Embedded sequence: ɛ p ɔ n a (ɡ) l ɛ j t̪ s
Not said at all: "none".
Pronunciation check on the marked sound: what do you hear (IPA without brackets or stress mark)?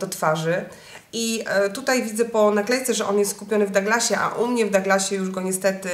k